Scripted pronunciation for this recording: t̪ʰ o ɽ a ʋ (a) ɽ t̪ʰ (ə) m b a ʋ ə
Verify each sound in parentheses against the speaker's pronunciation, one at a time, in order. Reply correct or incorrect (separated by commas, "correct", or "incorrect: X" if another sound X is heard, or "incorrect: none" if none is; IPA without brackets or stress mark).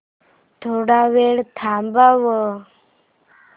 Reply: incorrect: e, incorrect: a